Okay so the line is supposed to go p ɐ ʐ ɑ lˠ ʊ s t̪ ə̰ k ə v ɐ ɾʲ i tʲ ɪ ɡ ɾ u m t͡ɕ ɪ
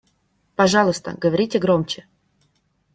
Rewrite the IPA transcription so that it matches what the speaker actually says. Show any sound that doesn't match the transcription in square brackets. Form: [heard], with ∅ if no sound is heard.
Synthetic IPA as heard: p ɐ ʐ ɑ lˠ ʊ s t̪ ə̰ [ɡ] ə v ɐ ɾʲ i tʲ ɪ ɡ ɾ [o] m t͡ɕ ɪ